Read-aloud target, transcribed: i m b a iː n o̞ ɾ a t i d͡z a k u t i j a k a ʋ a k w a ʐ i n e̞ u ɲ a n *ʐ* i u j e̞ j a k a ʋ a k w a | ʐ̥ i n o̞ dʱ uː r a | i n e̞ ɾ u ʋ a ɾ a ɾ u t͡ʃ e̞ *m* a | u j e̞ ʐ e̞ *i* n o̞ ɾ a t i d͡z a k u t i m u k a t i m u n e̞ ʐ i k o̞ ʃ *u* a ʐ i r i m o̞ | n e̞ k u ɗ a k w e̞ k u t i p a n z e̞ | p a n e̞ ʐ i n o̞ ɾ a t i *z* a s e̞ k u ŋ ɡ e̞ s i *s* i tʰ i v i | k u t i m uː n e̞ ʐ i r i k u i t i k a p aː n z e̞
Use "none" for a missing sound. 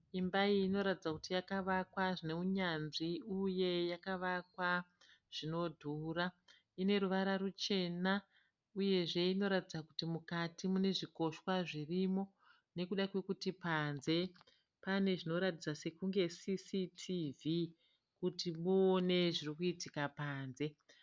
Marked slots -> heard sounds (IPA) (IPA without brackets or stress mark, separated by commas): ʐ, n, i, w, d͡z, s